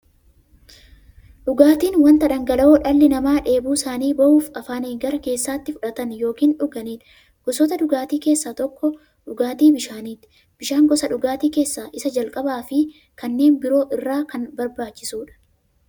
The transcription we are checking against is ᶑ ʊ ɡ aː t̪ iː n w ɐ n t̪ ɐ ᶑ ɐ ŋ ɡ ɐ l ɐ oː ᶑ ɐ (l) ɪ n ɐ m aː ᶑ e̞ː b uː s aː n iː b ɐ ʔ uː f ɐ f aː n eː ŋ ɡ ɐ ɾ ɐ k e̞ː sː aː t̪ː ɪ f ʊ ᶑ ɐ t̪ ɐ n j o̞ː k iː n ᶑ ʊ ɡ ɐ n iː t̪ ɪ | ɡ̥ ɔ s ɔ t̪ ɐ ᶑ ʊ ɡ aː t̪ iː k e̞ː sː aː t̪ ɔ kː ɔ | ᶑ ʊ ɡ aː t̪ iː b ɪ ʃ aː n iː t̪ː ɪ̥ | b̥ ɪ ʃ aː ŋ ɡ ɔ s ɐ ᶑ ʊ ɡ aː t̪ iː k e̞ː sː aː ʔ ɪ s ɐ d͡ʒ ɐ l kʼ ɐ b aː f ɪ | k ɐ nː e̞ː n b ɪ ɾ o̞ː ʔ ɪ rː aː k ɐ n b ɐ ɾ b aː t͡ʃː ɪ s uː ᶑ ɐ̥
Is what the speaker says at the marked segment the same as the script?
no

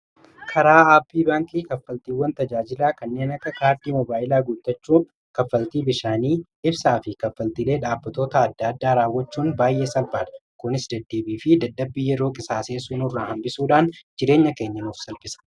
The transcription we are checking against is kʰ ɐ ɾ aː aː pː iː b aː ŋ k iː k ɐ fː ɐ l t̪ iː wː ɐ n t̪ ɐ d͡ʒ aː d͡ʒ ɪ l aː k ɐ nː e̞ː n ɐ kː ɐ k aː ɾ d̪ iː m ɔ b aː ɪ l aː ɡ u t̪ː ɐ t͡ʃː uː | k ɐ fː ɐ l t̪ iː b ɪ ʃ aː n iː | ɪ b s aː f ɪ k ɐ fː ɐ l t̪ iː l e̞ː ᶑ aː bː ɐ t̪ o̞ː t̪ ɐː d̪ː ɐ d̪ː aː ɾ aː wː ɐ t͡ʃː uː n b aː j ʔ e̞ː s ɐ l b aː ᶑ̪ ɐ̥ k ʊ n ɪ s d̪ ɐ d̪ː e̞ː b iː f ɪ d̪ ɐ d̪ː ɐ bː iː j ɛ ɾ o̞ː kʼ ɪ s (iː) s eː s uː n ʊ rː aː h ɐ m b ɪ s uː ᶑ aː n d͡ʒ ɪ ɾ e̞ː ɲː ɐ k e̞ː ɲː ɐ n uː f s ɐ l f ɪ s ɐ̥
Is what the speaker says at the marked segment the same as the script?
no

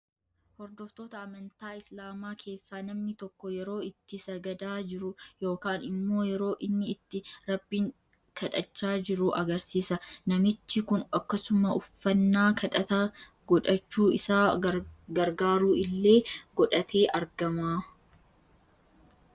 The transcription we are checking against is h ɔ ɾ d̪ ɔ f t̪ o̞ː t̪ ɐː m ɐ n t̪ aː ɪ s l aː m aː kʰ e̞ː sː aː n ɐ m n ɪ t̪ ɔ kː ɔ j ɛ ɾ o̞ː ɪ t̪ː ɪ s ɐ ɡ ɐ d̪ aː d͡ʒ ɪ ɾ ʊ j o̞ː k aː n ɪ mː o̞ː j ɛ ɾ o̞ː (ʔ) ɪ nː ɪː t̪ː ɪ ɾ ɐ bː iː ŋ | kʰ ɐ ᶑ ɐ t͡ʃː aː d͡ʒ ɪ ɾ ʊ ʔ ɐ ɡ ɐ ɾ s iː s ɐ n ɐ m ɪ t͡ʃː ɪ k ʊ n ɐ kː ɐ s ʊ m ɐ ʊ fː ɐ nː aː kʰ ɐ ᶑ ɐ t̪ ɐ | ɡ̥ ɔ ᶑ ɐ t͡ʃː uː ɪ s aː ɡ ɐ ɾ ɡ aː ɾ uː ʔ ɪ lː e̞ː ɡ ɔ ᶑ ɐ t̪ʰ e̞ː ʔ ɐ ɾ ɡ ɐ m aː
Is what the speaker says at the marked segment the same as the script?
yes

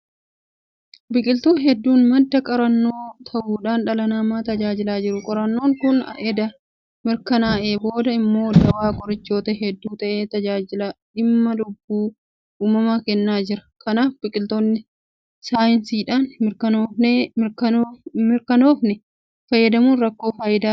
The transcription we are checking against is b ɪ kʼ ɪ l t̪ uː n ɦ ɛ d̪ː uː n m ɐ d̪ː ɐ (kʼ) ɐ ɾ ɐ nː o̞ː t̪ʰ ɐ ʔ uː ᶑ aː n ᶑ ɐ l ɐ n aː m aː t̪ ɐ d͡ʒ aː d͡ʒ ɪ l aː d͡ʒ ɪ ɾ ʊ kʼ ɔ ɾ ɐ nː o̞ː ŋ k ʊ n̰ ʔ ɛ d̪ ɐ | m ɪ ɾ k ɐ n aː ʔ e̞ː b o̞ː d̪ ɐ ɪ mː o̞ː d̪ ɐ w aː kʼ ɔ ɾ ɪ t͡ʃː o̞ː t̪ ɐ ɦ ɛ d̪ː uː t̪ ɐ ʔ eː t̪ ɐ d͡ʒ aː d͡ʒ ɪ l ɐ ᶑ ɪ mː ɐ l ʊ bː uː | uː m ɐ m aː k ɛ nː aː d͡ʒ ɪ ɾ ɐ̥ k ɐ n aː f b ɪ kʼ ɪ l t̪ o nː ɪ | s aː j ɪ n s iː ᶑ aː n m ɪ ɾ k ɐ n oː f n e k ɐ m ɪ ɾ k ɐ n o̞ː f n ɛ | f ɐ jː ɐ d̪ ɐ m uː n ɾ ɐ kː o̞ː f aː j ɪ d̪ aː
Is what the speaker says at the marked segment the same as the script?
yes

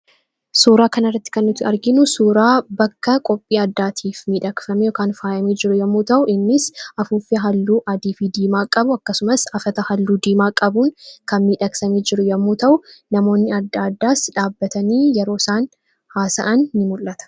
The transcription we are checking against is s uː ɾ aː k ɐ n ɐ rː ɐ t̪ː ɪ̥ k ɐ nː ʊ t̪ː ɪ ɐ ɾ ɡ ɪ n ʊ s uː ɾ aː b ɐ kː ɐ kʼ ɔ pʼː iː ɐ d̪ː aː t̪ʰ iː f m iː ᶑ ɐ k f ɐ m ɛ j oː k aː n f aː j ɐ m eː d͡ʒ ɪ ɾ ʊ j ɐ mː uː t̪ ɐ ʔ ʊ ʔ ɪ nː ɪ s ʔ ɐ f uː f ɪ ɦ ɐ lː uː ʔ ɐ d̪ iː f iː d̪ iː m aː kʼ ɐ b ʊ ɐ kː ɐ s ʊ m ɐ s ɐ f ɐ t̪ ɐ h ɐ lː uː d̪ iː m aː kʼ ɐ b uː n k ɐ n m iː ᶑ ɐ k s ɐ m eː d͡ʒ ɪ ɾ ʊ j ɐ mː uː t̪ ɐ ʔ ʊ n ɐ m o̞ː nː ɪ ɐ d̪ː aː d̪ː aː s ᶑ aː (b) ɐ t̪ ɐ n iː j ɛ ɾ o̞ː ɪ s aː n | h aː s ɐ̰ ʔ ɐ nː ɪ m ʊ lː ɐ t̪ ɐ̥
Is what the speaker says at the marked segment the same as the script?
no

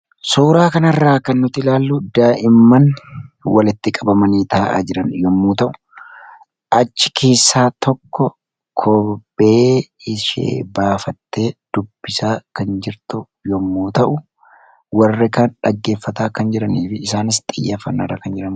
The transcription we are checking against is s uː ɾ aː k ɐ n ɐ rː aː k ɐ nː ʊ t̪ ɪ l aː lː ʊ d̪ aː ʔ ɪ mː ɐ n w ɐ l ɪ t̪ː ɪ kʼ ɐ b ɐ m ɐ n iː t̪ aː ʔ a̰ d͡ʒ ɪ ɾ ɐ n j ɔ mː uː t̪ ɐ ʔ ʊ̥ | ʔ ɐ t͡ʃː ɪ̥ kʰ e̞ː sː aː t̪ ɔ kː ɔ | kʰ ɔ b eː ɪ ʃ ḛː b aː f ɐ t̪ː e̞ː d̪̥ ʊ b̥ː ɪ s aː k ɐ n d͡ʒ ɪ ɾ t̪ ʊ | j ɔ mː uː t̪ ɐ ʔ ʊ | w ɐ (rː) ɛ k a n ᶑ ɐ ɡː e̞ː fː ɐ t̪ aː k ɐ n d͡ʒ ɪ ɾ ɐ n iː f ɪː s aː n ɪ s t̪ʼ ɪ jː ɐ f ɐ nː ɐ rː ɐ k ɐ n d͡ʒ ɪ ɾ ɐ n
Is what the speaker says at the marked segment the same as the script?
yes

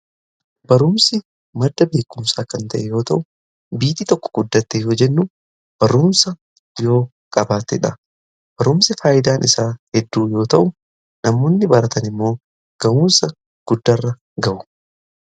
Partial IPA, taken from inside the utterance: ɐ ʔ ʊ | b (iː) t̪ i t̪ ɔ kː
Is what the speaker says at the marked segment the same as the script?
yes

